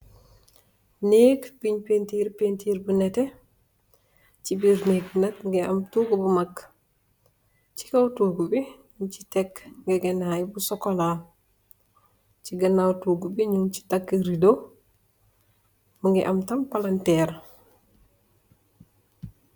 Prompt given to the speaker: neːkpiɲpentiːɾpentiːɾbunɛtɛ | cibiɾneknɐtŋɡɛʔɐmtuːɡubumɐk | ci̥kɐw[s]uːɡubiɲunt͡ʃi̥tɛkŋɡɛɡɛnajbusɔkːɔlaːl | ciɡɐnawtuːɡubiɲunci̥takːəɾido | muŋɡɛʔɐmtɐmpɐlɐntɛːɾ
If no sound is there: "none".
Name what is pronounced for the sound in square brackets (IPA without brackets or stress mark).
t